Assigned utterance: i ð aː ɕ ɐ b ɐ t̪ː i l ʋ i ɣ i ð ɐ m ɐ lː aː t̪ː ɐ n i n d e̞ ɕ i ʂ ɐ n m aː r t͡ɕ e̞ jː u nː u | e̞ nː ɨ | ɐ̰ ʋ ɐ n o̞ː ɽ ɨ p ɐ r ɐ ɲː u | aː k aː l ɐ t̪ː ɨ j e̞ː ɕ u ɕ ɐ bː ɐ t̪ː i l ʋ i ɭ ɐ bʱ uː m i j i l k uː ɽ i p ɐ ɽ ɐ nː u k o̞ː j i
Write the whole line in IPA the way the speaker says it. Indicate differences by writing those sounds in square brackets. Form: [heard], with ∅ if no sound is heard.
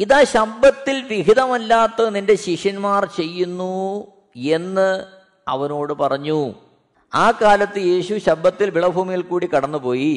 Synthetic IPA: i ð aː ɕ ɐ b ɐ t̪ː i l ʋ i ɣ i ð ɐ m ɐ lː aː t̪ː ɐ n i n d e̞ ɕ i ʂ ɐ n m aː r t͡ɕ e̞ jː u nː u | e̞ nː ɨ | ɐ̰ ʋ ɐ n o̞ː ɽ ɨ p ɐ r ɐ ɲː u | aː k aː l ɐ t̪ː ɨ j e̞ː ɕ u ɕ ɐ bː ɐ t̪ː i l ʋ i ɭ ɐ bʱ uː m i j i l k uː ɽ i [k] ɐ ɽ ɐ nː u [p] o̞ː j i